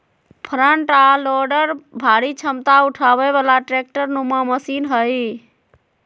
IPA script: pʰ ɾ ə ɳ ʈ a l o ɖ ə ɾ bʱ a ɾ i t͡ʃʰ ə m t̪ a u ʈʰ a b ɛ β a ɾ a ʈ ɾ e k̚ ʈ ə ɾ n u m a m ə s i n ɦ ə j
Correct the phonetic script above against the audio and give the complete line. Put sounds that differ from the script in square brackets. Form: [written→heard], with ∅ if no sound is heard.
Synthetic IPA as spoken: pʰ ɾ ə ɳ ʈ a l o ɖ ə ɾ bʱ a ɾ i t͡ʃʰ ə m t̪ a u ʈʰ a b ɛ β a [ɾ→l] a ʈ ɾ e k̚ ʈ ə ɾ n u m a m ə s i n ɦ ə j